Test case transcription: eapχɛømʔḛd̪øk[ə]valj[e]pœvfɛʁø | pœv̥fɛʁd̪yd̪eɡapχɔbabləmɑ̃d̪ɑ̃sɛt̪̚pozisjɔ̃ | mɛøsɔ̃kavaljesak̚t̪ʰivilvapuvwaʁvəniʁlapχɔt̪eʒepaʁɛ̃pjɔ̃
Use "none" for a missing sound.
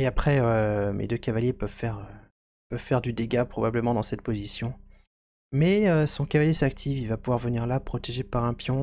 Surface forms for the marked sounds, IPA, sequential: a, e

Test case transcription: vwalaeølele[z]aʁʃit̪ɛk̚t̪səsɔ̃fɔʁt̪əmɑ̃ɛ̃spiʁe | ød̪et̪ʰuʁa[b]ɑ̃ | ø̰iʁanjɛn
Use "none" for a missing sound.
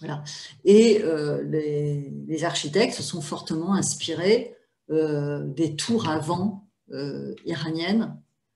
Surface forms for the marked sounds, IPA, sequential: z, v

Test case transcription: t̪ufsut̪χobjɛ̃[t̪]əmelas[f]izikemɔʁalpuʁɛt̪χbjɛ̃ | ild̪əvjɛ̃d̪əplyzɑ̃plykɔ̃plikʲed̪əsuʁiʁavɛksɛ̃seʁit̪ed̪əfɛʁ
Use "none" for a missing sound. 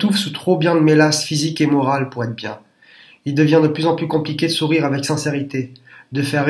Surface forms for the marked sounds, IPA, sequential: d̪, f

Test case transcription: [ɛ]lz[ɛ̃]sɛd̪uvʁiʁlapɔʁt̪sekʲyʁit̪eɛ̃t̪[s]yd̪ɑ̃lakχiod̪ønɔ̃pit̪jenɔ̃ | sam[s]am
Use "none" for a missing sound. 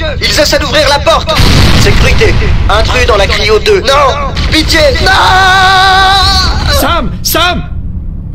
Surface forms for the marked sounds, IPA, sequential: i, ɛ, χ, s

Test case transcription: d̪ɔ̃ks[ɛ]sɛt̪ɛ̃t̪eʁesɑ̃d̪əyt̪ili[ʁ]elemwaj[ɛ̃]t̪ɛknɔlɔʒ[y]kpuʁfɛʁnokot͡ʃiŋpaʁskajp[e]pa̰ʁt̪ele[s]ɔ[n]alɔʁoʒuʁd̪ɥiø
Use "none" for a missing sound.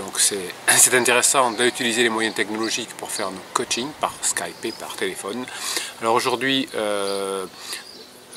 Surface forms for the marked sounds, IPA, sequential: ɛ, z, ɛ̃, i, e, f, n

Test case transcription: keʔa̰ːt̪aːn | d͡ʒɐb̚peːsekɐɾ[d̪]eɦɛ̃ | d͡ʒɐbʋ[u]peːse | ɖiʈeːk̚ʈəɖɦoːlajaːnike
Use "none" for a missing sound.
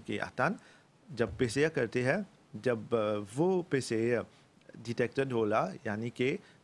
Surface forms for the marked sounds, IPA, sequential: t̪, o

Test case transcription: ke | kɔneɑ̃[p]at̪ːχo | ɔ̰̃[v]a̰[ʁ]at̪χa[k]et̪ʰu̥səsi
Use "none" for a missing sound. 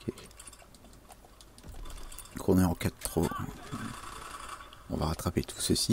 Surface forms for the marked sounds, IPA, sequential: k, v, ʁ, p

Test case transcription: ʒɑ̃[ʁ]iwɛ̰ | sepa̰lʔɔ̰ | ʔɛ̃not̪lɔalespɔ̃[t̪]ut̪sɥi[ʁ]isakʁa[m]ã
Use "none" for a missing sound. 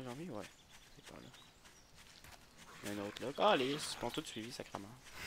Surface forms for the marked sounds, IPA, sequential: v, t̪, v, m

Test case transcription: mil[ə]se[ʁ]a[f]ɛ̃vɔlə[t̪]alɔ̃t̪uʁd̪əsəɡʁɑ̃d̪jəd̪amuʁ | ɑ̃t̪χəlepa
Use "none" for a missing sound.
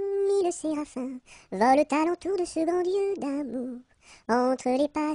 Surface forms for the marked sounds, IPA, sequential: ə, ʁ, f, t̪

